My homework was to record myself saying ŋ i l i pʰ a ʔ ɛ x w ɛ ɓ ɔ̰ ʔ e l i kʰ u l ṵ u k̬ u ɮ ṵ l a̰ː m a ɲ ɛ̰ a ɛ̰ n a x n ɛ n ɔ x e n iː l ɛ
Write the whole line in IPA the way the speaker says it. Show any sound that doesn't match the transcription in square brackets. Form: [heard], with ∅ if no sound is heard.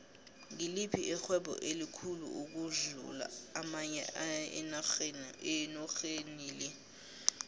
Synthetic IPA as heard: ŋ i l i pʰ [i] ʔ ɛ x w ɛ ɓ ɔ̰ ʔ e l i kʰ u l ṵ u k̬ u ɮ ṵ l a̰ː m a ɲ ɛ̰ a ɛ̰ n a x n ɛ n ɔ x e n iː l ɛ